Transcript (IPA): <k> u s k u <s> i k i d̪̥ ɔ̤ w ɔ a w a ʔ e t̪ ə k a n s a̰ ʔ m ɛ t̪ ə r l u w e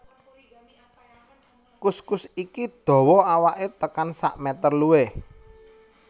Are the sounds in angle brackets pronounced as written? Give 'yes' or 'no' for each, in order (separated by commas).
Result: yes, yes